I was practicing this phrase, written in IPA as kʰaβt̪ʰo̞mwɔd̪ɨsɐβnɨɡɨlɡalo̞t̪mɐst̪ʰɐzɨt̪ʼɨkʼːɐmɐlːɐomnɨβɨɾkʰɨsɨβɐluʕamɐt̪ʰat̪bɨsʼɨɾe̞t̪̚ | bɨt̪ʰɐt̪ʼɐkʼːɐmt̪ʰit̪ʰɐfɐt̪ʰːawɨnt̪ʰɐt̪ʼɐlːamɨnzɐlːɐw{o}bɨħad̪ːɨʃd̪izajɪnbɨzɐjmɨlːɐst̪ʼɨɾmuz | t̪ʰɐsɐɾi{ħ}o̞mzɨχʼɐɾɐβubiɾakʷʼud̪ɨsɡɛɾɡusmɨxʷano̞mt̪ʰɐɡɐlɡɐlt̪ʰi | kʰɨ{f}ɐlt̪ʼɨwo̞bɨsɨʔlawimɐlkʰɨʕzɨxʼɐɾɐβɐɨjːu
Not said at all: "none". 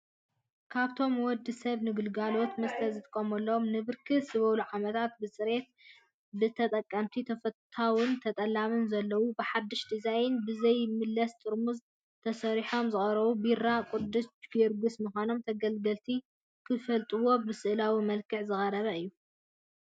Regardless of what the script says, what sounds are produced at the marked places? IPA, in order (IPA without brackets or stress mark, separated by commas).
u, ħ, f